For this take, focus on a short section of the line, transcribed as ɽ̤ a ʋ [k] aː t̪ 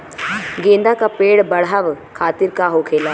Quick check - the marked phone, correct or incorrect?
incorrect: kʰ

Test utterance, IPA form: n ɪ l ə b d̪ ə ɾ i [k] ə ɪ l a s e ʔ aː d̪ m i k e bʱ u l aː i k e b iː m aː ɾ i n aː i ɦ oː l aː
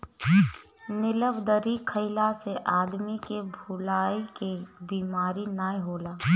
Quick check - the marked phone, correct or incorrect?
incorrect: kʰ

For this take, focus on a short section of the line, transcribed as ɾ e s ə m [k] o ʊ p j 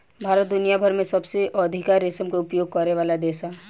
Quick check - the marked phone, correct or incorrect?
correct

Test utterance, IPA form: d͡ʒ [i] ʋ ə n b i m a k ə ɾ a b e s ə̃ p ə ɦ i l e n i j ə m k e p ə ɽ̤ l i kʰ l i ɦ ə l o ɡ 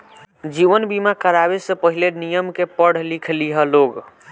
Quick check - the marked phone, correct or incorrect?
correct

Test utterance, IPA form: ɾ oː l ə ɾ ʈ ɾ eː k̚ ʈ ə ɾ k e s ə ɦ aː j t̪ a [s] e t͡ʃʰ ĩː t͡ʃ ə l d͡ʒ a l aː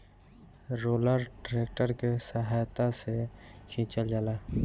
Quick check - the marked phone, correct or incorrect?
correct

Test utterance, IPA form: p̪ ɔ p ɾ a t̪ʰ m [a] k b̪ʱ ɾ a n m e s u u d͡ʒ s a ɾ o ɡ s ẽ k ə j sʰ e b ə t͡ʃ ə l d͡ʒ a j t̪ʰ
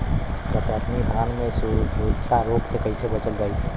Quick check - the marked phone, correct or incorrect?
incorrect: i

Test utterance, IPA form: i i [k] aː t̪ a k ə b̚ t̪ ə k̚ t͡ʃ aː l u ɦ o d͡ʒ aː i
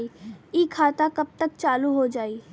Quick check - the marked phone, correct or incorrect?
incorrect: kʰ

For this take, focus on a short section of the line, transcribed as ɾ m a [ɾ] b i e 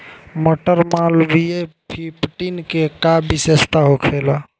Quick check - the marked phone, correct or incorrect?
incorrect: l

